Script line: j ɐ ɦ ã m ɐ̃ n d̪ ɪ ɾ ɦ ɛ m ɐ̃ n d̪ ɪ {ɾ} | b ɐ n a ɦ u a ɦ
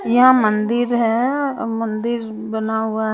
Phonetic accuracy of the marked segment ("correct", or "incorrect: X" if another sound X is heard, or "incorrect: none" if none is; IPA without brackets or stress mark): correct